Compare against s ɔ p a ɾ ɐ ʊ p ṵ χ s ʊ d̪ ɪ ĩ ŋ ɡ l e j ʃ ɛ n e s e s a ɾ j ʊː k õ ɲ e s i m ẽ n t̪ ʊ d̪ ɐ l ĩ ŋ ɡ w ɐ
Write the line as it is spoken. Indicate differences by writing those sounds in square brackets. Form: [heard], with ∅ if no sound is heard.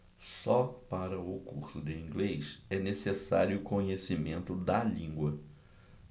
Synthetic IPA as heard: s ɔ p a ɾ ɐ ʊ [k] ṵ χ s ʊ d̪ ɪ ĩ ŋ ɡ l e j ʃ ɛ n e s e s a ɾ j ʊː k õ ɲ e s i m ẽ n t̪ ʊ d̪ ɐ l ĩ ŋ ɡ w ɐ